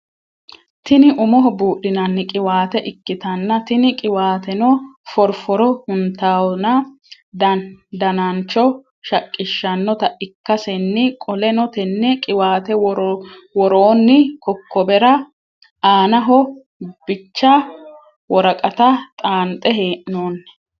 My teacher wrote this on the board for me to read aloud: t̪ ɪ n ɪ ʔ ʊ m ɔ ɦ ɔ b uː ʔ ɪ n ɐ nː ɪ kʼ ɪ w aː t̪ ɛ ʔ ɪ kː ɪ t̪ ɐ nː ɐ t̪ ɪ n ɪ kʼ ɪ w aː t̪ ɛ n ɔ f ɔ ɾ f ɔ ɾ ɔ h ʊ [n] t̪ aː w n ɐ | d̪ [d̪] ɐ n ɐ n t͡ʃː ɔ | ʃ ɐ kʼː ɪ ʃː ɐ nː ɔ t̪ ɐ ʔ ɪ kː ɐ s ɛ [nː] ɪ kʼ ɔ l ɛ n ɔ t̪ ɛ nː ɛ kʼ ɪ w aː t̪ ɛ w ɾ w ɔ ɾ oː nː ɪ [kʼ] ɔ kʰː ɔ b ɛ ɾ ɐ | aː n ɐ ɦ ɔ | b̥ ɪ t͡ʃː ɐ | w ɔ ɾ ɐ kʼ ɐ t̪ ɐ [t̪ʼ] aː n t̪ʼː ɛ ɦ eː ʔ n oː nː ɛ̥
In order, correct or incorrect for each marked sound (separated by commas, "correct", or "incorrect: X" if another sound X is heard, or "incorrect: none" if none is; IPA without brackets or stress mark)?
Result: correct, correct, correct, incorrect: k, correct